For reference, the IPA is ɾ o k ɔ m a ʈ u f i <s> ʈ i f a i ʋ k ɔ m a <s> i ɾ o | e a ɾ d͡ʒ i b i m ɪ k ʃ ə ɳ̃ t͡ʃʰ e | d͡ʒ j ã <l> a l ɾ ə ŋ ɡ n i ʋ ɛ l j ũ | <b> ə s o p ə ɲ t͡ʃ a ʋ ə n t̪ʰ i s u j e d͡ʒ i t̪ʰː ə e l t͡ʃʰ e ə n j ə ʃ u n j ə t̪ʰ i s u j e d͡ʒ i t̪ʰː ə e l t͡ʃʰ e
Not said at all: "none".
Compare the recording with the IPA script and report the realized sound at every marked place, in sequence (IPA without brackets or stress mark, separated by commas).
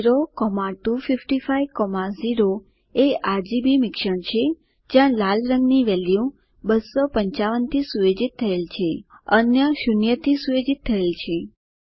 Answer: f, z, l, b